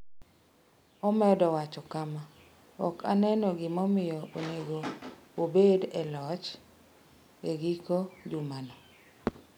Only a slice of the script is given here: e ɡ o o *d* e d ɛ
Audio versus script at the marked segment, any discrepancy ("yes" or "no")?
yes